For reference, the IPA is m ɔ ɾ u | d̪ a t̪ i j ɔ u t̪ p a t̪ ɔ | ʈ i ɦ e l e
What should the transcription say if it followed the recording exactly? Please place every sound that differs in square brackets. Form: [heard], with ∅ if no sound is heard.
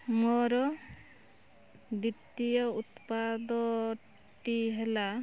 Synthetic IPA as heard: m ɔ ɾ [ɔ] | d̪ [i] t̪ i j ɔ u t̪ p a [d̪] ɔ | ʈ i ɦ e l [a]